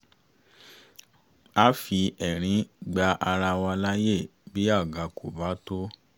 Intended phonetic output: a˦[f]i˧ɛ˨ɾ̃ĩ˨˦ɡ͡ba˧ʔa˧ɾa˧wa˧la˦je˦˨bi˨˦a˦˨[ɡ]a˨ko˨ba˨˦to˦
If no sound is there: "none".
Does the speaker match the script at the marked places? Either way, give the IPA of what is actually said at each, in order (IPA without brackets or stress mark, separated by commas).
f, ɡ